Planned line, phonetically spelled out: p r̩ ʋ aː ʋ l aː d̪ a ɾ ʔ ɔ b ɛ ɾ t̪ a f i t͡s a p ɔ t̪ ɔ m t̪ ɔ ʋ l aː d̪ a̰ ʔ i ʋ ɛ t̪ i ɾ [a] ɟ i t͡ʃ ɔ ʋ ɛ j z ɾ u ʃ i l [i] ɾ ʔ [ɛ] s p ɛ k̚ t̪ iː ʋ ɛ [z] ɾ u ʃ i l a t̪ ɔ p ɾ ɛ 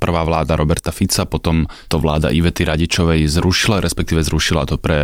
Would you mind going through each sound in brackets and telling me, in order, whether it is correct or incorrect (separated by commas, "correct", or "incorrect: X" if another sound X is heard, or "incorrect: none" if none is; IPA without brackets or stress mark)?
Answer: correct, incorrect: a, correct, correct